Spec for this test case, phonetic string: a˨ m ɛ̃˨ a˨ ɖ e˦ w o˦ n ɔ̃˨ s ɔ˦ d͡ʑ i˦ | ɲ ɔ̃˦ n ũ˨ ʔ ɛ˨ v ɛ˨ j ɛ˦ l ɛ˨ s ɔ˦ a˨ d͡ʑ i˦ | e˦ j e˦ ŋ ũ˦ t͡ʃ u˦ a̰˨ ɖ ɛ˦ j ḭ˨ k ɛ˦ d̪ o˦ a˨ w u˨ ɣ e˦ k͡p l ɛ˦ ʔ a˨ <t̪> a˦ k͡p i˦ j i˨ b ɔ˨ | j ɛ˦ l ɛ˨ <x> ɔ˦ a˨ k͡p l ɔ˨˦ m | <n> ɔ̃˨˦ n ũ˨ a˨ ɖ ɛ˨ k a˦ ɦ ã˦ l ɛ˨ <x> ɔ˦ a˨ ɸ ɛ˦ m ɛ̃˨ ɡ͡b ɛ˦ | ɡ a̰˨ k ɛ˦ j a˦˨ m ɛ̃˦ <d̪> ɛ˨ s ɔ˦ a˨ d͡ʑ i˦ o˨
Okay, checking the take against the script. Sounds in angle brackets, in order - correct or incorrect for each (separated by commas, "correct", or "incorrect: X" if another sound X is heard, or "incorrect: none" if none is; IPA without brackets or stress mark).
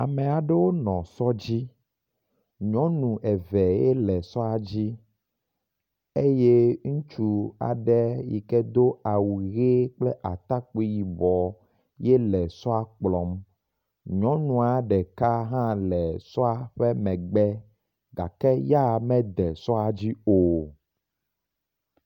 correct, incorrect: s, incorrect: ɲ, incorrect: s, correct